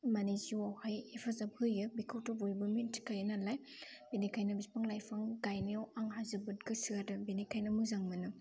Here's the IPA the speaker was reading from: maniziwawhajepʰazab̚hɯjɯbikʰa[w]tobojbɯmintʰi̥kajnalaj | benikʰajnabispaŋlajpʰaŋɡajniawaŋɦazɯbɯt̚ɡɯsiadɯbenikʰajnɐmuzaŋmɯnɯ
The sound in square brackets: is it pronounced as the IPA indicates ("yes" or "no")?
yes